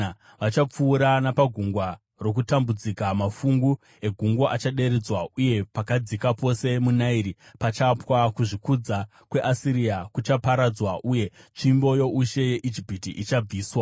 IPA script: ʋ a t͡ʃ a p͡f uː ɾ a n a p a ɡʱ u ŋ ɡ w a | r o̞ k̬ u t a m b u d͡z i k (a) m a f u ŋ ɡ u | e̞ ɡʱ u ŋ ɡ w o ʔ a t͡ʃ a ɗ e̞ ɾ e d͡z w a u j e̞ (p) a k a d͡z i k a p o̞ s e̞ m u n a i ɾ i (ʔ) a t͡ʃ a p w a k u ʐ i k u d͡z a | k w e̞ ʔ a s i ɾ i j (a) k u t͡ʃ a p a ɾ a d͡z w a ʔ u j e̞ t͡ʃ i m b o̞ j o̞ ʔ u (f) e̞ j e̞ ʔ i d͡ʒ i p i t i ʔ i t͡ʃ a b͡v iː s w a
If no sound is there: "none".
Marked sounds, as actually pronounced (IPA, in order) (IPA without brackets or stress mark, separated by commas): a, p, p, a, ʃ